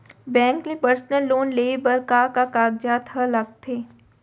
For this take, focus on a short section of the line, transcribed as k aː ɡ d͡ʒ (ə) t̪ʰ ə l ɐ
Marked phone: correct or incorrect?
incorrect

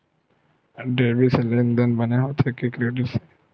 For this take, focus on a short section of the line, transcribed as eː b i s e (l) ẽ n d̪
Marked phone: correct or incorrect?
correct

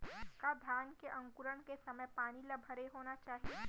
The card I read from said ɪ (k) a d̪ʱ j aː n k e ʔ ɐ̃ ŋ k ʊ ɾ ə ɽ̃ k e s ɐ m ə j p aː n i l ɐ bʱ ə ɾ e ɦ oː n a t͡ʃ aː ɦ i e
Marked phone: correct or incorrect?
correct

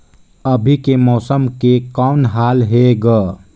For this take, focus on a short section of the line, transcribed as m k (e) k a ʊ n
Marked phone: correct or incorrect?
correct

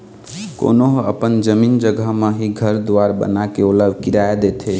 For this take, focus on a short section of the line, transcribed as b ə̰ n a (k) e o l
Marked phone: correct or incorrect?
correct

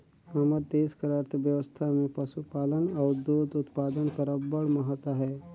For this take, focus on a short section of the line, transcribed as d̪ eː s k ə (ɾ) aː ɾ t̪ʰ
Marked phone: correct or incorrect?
correct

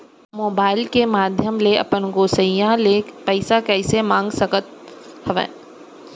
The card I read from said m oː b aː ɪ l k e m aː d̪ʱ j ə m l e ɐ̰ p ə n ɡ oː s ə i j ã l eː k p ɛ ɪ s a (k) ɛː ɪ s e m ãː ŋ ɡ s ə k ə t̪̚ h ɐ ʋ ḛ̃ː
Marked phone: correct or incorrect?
correct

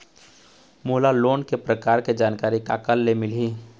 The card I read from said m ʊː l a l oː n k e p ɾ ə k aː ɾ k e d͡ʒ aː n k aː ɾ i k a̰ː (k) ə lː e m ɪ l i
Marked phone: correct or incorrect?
correct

